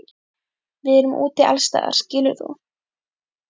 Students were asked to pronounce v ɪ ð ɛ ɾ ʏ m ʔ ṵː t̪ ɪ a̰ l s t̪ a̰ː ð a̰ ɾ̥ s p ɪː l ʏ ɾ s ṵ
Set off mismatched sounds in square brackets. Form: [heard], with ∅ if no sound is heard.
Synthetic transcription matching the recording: v ɪ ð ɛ ɾ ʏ m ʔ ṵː t̪ ɪ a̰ l s t̪ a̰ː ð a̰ ɾ̥ s [c] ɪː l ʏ ɾ [θ] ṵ